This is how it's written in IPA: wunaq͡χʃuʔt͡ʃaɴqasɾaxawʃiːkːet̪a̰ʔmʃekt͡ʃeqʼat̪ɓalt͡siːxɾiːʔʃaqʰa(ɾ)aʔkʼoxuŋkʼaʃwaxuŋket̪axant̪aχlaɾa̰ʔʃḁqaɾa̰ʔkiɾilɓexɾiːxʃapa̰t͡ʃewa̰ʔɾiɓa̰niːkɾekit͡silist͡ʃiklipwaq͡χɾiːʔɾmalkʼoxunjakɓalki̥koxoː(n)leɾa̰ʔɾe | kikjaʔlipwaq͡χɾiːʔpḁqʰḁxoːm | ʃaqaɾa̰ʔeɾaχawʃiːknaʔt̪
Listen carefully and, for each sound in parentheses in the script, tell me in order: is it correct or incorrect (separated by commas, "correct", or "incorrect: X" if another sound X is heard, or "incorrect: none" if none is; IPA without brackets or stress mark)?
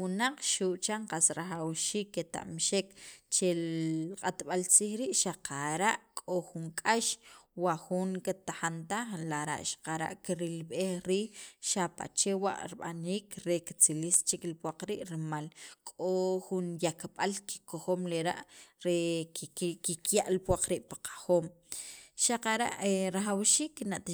correct, incorrect: m